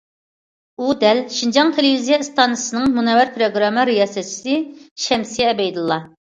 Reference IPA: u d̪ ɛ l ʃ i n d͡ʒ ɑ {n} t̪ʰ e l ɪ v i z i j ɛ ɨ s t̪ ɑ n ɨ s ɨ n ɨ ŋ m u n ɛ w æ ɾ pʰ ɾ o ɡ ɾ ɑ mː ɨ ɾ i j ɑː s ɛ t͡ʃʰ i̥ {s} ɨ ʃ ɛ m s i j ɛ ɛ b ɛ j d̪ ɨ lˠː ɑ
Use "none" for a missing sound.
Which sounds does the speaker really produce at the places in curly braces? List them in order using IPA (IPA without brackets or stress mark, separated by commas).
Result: ŋ, s